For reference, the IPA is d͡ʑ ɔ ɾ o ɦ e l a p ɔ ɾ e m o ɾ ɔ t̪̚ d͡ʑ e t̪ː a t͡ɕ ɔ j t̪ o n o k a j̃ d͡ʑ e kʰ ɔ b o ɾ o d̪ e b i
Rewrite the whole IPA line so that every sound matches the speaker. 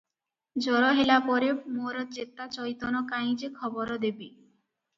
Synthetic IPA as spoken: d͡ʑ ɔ ɾ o ɦ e l a p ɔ ɾ e m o ɾ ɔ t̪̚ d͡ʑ e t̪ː a t͡ɕ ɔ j t̪ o n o k a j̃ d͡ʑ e kʰ ɔ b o ɾ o d̪ e b i